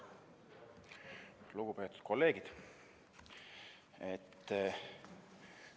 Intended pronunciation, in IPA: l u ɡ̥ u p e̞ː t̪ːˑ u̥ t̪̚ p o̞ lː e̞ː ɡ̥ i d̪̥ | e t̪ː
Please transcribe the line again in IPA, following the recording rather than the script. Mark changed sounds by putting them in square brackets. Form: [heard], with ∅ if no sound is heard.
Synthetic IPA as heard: l u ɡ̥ u p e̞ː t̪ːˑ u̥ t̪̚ [k] o̞ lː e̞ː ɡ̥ i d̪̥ | e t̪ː